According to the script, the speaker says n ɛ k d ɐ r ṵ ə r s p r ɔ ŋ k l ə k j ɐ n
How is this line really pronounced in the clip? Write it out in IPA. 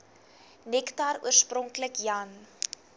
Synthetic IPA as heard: n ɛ k t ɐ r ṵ ə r s p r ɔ ŋ k l ə k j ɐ n